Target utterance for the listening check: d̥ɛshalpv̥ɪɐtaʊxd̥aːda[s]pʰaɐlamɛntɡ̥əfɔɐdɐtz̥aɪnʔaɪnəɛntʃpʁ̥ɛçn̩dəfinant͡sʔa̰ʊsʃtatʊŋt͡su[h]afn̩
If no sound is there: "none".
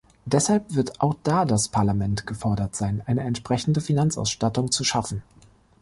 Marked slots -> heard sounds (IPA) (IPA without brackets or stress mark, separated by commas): s, ʃ